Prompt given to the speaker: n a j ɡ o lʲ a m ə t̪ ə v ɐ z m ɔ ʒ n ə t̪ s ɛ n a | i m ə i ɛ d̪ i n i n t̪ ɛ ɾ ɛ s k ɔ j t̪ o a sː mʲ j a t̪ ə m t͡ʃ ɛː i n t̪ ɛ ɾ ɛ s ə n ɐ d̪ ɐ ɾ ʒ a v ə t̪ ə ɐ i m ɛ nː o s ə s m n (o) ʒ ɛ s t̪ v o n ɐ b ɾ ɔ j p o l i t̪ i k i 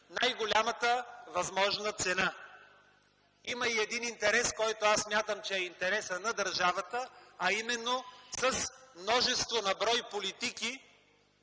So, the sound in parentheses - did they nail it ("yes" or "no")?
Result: no